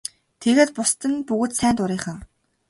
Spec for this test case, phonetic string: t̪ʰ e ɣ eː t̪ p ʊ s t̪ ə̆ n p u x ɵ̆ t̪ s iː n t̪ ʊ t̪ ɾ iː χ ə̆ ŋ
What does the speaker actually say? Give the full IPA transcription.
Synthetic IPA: t̪ʰ e ɣ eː t̪ p ʊ s t̪ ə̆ n p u ɣ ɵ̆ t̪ s æː n t̪ ʊ ɾ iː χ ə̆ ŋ